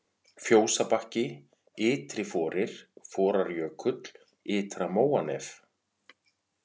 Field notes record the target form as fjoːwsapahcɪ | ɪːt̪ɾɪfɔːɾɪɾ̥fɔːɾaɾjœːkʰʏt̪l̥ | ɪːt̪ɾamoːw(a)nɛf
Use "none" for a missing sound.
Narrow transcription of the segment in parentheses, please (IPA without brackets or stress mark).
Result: a